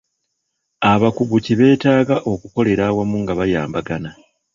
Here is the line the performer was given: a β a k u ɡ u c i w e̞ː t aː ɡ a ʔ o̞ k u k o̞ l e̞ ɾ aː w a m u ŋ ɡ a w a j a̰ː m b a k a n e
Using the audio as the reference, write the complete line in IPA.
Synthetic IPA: a β a k u ɡ u c i β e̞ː t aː ɡ a ʔ o̞ k u k o̞ l e̞ ɾ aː w a m u ŋ ɡ a β a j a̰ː m b a ɡ a n a